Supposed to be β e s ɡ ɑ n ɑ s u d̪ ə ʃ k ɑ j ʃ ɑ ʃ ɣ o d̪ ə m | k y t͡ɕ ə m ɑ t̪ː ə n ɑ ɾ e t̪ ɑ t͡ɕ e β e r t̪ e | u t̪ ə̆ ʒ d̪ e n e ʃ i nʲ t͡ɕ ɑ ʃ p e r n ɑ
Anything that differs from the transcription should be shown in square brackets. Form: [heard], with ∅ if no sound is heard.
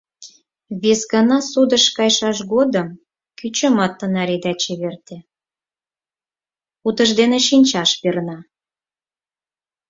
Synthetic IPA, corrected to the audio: β e s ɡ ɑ n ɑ s u d̪ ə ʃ k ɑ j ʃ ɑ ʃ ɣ o d̪ ə m | k y t͡ɕ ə m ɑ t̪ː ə n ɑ ɾ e [d̪] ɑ t͡ɕ e β e r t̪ e | u t̪ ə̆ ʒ d̪ e n e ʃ i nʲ t͡ɕ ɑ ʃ p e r n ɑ

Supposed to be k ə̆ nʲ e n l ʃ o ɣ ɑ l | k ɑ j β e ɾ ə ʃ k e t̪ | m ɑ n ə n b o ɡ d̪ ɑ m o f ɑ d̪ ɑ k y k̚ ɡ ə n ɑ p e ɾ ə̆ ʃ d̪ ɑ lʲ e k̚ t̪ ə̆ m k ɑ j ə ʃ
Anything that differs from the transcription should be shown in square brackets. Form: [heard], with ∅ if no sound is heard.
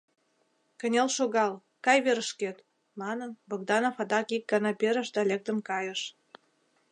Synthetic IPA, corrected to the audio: k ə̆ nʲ e [∅] l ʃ o ɣ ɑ l | k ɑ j β e ɾ ə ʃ k e t̪ | m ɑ n ə n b o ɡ d̪ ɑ [n] o f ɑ d̪ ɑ k [i] k̚ ɡ [ɑ] n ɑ p e ɾ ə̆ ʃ d̪ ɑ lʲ e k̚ t̪ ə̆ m k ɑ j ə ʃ

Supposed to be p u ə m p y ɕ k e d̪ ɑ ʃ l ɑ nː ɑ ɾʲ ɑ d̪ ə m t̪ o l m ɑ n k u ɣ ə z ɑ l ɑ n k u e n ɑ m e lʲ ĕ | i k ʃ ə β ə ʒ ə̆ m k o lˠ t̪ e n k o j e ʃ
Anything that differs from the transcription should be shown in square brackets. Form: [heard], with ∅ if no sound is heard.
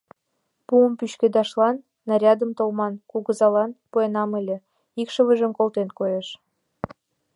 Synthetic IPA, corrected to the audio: p u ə m p y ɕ k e d̪ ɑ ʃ l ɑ nː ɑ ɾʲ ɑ d̪ ə m t̪ o l m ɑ n k u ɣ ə z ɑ l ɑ n [p] u e n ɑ m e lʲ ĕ | i k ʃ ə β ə ʒ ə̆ m k o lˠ t̪ e n k o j e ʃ

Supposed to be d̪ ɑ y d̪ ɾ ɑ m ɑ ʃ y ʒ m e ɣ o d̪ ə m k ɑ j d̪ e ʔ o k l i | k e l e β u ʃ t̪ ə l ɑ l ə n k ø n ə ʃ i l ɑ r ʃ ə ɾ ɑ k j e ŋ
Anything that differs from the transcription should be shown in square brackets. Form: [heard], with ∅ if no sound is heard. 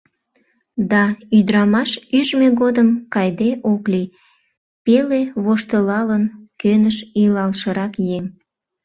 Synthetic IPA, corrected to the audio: d̪ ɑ y d̪ ɾ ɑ m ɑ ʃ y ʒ m e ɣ o d̪ ə m k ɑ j d̪ e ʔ o k l i | [p] e l e β [o] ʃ t̪ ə l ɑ l ə n k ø n ə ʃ i l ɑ [l] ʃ ə ɾ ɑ k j e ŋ

